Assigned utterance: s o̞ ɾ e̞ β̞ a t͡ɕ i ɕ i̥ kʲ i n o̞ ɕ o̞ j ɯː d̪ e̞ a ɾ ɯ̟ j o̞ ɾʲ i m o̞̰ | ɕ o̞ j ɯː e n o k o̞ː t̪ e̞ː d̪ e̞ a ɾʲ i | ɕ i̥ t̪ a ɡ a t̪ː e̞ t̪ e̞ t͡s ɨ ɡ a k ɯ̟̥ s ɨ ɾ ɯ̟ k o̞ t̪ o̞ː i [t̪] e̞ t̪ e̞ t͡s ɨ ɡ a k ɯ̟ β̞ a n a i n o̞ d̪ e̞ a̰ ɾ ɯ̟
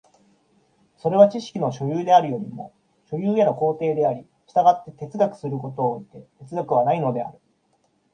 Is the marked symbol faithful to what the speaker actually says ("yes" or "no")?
yes